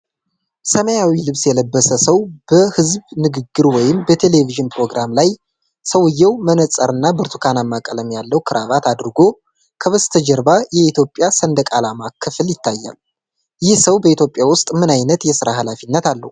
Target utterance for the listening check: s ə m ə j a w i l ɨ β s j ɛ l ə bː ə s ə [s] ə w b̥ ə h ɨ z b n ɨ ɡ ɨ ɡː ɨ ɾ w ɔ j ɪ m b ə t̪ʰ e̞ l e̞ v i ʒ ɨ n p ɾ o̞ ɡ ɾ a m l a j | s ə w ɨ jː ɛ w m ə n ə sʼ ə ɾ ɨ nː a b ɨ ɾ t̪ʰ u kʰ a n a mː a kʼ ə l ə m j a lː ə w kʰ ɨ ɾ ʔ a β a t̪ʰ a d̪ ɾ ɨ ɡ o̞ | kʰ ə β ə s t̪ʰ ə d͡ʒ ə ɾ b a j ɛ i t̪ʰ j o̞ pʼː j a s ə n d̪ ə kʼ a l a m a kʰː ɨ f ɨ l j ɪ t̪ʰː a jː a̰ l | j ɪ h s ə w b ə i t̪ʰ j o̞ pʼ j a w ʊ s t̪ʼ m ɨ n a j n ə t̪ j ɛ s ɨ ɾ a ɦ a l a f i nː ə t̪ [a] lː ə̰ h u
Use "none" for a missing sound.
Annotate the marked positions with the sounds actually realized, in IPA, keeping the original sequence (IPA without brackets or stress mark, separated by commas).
s, a